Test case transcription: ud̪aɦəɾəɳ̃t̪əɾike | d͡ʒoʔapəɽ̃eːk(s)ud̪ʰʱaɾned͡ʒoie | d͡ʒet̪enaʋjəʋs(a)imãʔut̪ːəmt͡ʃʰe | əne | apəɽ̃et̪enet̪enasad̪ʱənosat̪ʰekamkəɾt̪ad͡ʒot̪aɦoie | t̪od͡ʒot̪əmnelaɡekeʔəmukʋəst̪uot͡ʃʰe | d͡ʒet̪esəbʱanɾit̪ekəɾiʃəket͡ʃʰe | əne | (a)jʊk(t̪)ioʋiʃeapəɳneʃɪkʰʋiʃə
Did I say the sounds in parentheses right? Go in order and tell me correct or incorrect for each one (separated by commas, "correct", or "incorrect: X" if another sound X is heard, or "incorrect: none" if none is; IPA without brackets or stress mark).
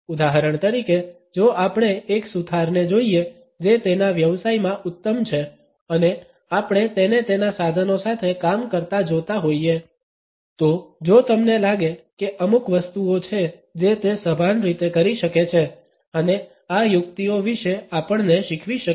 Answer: correct, correct, correct, correct